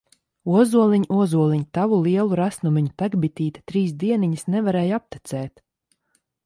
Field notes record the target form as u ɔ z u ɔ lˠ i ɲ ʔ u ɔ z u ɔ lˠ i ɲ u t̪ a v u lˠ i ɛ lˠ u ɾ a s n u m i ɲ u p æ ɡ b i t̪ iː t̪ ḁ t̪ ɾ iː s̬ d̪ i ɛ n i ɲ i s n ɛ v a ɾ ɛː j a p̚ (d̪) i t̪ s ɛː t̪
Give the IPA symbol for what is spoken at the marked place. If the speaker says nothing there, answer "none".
t̪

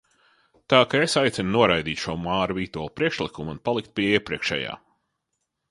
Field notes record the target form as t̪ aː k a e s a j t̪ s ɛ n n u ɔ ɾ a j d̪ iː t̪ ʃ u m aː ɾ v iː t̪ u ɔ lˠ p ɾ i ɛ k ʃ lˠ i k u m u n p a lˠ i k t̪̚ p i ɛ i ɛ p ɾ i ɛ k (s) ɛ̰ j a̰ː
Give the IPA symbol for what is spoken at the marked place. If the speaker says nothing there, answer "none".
ʃ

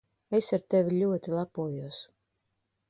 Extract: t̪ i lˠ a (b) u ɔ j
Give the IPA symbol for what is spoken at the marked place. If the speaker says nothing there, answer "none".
p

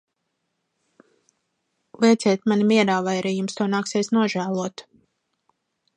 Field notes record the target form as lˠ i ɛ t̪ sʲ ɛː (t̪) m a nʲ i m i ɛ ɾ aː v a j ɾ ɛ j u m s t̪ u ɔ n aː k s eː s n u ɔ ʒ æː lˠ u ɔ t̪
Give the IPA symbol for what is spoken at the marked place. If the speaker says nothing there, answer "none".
t̪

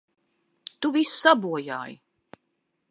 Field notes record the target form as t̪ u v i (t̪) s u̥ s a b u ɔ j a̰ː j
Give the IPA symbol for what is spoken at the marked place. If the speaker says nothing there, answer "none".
none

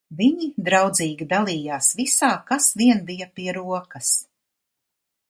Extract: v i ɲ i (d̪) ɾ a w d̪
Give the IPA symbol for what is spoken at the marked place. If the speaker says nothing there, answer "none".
d̪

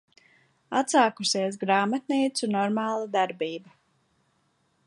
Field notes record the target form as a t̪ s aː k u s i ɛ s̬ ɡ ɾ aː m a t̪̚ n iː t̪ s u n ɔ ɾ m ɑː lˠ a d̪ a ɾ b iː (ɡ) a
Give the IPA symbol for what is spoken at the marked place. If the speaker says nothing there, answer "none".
b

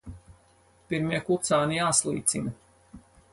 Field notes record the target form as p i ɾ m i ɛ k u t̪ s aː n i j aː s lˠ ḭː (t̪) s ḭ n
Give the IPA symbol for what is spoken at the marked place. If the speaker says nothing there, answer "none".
t̪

